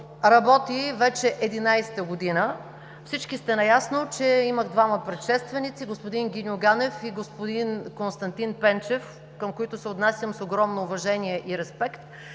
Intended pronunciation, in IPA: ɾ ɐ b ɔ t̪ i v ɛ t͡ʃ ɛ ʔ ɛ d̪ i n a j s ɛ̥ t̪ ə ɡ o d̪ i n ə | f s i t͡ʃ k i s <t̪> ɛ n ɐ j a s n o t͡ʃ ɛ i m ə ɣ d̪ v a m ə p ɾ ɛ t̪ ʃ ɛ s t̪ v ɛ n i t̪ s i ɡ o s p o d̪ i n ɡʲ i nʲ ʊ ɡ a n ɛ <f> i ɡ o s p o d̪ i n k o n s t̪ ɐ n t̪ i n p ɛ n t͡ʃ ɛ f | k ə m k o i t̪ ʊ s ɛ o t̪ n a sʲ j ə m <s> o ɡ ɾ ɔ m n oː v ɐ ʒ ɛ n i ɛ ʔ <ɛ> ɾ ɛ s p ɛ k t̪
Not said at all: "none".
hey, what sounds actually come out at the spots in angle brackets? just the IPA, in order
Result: t̪, f, s, i

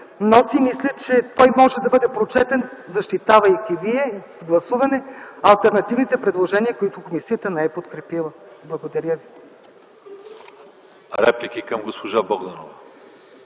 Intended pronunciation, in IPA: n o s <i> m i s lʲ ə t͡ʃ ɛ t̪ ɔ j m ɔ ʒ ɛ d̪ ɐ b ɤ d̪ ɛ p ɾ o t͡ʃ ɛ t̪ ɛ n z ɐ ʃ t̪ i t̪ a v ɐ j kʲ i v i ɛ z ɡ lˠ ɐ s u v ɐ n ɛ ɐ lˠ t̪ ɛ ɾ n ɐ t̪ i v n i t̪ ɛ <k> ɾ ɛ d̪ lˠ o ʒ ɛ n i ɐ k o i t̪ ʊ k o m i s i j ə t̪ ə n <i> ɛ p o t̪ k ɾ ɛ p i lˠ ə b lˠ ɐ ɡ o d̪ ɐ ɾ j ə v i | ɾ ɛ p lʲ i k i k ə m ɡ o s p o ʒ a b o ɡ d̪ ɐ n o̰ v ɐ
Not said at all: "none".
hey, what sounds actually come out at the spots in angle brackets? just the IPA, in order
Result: i, p, ɛ

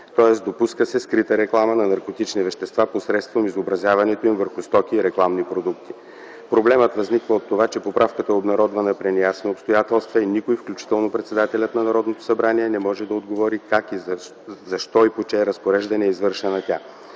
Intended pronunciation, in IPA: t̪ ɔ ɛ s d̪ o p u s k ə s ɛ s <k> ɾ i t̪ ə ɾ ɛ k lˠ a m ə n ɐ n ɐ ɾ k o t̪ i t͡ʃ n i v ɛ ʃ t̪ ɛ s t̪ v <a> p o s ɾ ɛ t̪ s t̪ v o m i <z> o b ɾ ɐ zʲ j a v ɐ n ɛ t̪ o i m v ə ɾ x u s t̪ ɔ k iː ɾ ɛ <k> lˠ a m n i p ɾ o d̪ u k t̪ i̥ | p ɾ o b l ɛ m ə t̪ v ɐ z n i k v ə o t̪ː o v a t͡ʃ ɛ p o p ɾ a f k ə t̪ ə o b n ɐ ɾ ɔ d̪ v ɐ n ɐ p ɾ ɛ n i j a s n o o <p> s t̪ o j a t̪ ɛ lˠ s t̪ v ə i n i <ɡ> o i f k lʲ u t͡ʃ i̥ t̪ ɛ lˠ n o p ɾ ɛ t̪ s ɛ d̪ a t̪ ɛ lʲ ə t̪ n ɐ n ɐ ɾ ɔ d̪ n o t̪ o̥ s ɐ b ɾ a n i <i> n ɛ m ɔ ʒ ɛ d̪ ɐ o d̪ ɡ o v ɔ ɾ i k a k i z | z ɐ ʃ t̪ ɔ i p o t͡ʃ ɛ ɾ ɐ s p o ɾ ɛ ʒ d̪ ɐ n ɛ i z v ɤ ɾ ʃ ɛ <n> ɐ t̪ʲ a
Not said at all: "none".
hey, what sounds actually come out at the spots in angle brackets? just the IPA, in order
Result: k, a, z, k, p, k, ɛ, n

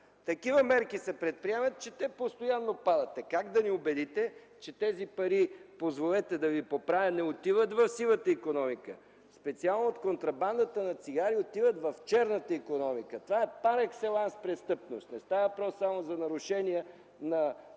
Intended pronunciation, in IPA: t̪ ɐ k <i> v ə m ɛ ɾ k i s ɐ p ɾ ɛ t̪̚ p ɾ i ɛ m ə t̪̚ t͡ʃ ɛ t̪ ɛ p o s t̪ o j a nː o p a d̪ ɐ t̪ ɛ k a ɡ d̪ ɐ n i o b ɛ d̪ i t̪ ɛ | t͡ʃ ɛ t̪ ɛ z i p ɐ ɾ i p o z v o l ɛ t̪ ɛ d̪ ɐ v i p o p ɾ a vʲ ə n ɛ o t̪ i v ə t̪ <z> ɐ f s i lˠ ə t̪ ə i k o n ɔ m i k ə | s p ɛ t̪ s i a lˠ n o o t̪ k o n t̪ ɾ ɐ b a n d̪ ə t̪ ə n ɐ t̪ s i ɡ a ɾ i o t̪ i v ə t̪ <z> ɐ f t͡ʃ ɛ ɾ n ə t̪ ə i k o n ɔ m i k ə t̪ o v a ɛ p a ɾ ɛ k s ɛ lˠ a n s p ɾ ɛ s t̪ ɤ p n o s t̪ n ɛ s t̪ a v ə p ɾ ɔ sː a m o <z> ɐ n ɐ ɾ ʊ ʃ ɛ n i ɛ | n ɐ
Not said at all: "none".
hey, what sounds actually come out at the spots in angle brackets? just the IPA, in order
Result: i, v, v, z

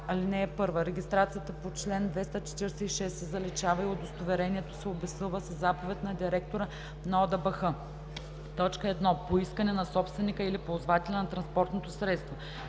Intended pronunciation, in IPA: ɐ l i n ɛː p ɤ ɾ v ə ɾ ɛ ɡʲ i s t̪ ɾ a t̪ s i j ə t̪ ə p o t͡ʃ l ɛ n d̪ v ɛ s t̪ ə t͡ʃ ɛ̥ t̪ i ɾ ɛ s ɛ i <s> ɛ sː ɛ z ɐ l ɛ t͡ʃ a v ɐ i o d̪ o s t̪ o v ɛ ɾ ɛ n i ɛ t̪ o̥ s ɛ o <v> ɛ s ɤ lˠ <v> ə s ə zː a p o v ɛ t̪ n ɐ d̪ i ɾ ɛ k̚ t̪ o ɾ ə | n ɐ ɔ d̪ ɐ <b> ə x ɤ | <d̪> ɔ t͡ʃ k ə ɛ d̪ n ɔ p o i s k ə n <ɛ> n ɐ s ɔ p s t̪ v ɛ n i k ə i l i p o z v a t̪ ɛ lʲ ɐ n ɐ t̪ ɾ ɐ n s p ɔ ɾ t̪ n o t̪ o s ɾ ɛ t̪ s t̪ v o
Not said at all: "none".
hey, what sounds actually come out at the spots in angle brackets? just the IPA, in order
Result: ʃ, b, v, b, t̪, ɛ

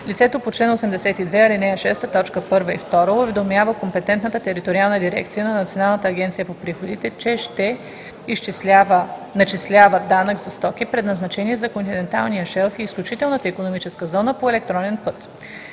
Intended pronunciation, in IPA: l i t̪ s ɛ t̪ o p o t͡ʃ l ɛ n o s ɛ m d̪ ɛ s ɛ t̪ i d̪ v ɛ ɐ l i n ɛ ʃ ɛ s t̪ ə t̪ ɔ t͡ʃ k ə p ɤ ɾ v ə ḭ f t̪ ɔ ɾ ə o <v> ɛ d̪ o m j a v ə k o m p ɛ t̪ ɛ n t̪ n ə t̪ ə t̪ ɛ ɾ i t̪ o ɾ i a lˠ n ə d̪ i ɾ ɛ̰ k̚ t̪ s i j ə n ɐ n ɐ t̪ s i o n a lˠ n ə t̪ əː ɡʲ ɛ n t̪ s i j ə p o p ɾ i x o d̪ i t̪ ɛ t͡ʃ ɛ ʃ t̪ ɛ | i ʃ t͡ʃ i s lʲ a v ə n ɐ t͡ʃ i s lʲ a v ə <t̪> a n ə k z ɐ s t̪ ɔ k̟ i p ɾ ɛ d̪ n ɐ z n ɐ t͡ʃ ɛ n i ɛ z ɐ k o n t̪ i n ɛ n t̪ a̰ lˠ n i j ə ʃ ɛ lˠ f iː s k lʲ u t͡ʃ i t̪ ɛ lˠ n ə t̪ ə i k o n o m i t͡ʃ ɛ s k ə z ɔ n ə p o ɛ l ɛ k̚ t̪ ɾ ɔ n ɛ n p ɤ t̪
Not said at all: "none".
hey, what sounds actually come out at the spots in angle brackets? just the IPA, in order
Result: v, d̪

